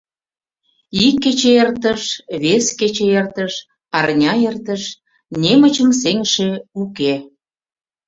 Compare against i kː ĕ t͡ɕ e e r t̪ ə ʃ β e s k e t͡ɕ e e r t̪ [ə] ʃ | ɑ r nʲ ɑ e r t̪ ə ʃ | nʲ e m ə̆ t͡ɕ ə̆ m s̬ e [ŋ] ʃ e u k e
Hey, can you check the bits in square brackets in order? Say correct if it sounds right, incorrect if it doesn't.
correct, correct

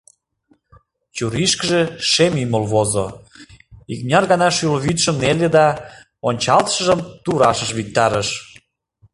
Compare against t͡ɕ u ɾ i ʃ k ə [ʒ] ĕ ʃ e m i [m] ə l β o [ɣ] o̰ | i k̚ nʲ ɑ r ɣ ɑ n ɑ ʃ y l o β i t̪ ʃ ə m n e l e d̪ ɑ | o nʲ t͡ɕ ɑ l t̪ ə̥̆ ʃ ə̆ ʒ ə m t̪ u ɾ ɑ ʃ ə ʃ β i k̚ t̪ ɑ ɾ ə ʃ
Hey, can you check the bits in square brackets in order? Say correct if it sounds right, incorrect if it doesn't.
correct, correct, incorrect: z

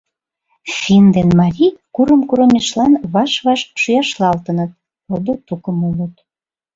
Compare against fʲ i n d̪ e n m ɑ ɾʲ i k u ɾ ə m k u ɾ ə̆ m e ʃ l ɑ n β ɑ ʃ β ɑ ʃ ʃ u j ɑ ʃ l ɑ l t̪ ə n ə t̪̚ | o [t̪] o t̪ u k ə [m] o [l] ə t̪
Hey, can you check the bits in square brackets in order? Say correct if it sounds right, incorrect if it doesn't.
incorrect: d̪, correct, correct

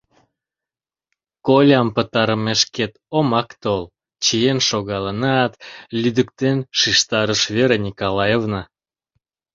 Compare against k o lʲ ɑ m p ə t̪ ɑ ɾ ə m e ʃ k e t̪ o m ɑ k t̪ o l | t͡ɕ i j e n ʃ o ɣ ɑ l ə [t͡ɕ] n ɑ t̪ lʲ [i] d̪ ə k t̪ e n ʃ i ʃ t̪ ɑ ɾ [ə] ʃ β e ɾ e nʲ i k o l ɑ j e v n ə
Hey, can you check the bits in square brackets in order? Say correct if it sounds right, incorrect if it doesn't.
incorrect: none, incorrect: y, correct

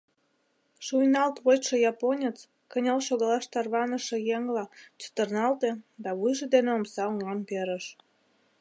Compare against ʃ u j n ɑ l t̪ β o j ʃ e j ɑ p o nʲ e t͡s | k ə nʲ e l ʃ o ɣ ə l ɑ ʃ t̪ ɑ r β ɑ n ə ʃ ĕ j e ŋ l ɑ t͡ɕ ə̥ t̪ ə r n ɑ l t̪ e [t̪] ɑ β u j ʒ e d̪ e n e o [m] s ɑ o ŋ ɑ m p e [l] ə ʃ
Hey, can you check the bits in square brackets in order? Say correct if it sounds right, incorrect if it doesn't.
incorrect: d̪, correct, incorrect: ɾ

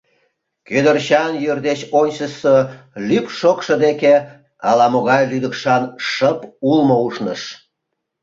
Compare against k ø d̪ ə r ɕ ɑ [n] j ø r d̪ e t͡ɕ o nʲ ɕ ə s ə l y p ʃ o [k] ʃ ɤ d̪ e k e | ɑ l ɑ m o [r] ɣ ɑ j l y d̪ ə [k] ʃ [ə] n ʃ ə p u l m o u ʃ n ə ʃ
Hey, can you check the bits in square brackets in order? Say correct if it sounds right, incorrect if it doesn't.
correct, correct, incorrect: none, correct, incorrect: ɑ

